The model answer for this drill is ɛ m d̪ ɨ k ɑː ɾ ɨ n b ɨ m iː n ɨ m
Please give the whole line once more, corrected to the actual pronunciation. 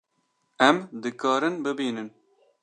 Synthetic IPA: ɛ m d̪ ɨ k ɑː ɾ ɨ n b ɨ b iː n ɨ n